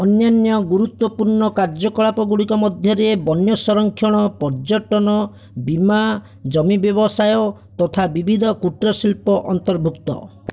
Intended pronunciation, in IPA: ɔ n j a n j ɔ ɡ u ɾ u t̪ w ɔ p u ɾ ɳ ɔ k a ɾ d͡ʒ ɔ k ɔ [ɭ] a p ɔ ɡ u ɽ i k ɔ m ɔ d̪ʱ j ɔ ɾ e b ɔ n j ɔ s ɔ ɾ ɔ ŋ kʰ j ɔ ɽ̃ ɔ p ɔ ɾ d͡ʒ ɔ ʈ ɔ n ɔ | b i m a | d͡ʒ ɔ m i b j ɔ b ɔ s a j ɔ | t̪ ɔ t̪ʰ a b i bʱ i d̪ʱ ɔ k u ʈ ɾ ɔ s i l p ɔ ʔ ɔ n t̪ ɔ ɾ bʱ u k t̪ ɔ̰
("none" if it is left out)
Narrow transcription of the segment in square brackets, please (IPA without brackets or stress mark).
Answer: ɭ